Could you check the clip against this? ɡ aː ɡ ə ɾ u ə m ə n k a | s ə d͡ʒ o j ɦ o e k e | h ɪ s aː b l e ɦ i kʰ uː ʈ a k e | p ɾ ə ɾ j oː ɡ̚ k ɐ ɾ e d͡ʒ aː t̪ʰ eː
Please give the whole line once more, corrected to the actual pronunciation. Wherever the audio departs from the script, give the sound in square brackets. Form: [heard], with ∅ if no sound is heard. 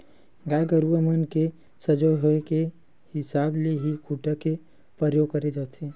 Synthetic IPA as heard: ɡ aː ɡ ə ɾ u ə m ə n k [e] | s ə d͡ʒ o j ɦ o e k e | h ɪ s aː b l e ɦ i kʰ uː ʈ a k e | p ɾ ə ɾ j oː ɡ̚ k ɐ ɾ e d͡ʒ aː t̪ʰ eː